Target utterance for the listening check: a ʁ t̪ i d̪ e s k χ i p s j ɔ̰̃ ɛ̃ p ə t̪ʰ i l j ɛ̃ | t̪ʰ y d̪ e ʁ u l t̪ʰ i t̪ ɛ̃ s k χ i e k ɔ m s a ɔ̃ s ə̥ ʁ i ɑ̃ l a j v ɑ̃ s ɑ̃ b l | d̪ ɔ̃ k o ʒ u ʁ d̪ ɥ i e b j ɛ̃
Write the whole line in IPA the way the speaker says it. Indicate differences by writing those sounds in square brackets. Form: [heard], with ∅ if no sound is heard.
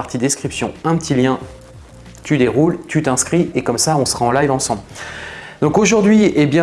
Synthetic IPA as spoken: a ʁ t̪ i d̪ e s k χ i p s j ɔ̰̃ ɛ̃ p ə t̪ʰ i l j ɛ̃ | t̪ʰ y d̪ e ʁ u l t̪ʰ [y] t̪ ɛ̃ s k χ i e k ɔ m s a ɔ̃ s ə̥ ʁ [a] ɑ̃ l a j v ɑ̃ s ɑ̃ b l | d̪ ɔ̃ k o ʒ u ʁ d̪ ɥ i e b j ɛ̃